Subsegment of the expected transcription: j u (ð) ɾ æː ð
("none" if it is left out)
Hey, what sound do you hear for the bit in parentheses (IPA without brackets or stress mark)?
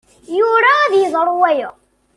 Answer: none